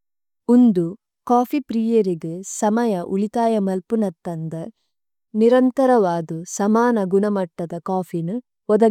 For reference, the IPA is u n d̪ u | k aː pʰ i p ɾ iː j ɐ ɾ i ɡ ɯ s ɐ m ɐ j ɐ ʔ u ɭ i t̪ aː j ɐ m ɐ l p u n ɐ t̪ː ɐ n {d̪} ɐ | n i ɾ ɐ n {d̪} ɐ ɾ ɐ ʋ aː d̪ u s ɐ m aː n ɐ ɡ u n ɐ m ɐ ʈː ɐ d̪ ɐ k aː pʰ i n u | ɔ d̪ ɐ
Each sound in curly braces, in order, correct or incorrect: correct, incorrect: t̪

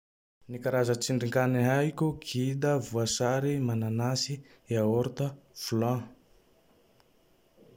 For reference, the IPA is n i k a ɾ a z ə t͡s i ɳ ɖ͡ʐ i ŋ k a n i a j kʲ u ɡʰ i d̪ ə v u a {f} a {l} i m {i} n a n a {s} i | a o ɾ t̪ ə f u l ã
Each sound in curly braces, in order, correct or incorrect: incorrect: s, incorrect: ɾ, incorrect: a, correct

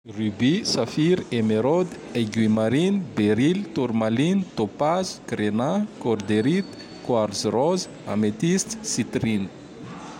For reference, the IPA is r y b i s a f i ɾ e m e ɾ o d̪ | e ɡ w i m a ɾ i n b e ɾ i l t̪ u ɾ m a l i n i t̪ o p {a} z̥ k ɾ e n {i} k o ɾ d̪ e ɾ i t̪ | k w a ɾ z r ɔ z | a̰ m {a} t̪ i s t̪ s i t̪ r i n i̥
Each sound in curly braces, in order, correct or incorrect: correct, incorrect: a, incorrect: e

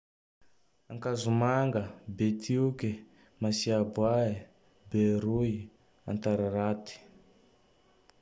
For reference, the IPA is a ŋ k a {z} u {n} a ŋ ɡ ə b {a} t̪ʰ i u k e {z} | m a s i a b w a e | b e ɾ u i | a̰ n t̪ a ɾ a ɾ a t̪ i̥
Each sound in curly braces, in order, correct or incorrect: correct, incorrect: m, incorrect: e, incorrect: none

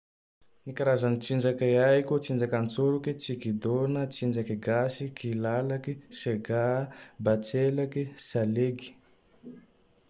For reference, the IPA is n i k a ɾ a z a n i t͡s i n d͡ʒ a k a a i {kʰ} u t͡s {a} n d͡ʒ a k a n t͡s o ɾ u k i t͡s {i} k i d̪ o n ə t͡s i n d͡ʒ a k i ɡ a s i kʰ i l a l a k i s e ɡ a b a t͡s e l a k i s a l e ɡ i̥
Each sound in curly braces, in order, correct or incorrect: incorrect: k, incorrect: i, correct

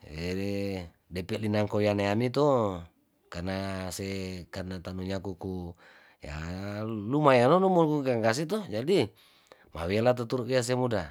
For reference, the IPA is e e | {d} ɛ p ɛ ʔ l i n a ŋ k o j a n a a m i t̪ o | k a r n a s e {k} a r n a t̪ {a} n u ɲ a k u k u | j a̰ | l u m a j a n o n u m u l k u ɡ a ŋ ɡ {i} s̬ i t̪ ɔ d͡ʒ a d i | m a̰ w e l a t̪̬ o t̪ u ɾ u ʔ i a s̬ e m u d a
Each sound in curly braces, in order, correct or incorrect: correct, correct, correct, incorrect: a

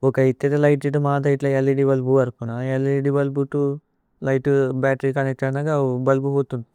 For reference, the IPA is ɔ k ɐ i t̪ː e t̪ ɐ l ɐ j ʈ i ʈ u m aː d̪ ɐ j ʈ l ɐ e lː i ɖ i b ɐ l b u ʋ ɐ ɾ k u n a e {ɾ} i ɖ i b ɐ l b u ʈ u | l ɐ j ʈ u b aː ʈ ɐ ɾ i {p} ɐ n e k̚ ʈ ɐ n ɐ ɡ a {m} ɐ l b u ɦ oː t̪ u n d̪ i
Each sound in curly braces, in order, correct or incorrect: incorrect: l, incorrect: k, incorrect: b

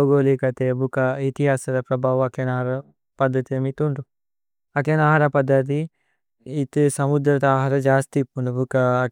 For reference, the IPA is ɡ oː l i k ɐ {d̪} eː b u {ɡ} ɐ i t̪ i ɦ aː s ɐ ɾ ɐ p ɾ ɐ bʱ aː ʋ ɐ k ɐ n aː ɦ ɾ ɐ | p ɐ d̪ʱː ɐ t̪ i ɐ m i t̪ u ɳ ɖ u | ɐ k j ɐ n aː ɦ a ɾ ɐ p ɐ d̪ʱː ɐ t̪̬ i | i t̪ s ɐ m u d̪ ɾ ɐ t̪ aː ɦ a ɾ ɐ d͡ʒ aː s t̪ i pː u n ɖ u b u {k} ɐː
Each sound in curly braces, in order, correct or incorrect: incorrect: t̪, incorrect: k, correct

